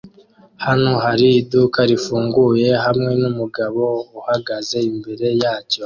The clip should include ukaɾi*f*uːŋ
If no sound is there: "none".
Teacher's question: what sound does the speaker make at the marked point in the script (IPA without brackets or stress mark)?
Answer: f